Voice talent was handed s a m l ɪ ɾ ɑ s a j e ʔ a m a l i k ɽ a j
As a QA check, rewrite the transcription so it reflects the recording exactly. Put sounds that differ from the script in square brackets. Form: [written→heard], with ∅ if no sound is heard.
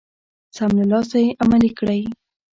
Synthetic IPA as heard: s a m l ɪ [ɾ→l] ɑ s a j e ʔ a m a l i k ɽ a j